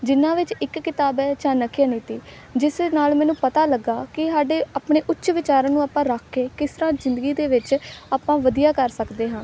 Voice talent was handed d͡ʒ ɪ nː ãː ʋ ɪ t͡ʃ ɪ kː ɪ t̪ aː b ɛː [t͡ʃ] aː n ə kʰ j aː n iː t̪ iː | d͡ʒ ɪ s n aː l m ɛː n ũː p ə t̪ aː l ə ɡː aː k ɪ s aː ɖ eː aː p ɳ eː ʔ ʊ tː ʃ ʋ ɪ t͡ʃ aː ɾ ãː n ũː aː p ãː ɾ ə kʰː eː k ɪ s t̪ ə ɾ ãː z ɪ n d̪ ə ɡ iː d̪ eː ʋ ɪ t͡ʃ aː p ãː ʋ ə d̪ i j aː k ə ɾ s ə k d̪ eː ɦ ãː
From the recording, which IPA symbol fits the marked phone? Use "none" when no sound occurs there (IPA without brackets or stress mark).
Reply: t͡ʃ